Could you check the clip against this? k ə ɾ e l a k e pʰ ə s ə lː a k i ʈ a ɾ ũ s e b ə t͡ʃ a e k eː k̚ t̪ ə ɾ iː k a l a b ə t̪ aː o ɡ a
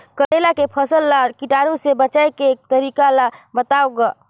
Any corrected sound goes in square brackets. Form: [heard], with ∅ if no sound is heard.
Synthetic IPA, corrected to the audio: k ə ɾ e l a k e pʰ ə s ə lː a k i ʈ a ɾ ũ s e b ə t͡ʃ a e k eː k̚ t̪ ə ɾ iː k a l a b ə t̪ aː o ɡ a